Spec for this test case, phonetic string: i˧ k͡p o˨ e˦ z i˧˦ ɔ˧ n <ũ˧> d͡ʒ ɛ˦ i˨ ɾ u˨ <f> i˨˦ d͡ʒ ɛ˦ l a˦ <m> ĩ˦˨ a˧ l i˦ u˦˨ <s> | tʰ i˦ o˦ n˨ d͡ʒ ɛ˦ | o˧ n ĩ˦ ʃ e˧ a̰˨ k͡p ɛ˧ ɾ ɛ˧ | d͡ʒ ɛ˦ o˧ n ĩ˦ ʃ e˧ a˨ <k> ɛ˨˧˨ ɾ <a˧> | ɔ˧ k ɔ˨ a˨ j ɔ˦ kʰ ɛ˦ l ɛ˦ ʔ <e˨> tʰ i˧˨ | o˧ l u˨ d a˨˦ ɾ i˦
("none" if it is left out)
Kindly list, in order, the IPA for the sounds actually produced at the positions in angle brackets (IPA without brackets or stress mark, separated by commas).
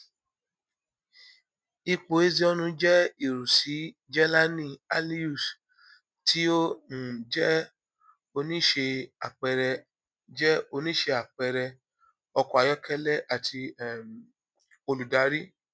ũ˧, s, n, s, k͡p, ɛ˧, a˨